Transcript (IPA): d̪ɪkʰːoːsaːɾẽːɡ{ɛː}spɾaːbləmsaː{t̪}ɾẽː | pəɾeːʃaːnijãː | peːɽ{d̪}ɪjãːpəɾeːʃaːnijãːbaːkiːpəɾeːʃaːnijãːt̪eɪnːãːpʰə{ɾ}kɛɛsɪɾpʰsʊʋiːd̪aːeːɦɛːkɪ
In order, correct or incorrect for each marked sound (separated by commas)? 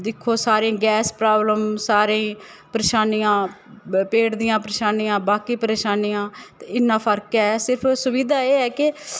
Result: correct, incorrect, correct, correct